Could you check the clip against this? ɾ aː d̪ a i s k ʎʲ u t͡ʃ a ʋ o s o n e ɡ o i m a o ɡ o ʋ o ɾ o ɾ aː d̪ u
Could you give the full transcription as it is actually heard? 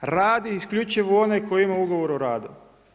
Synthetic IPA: ɾ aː d̪ i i s k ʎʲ u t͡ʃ i ʋ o o n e k o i m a u ɡ o ʋ o ɾ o ɾ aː d̪ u